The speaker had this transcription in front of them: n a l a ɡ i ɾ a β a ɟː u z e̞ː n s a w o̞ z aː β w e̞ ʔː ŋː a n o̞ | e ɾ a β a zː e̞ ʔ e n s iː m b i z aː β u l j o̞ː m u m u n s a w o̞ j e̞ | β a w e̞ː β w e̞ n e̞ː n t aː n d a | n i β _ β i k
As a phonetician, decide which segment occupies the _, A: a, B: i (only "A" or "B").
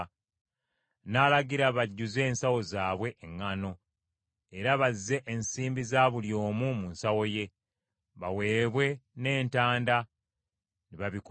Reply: A